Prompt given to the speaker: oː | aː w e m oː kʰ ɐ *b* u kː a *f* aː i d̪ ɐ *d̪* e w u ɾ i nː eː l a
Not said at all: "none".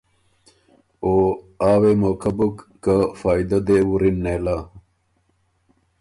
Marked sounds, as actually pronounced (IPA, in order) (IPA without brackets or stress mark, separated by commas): b, f, d̪